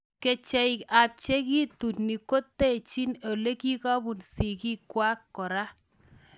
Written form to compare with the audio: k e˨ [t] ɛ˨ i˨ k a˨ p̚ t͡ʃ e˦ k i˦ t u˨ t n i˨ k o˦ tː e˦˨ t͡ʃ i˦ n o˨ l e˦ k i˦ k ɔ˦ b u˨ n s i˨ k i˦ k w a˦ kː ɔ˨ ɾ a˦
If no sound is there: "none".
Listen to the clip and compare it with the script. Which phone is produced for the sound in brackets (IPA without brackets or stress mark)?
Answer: t͡ʃ